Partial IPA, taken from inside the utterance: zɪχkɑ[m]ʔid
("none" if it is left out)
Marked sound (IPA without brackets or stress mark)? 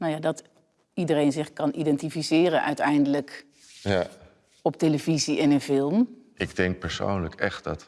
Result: n